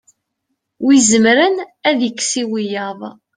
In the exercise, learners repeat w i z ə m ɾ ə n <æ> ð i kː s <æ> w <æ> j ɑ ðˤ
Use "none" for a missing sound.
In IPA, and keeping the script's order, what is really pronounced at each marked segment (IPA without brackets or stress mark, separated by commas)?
æ, i, i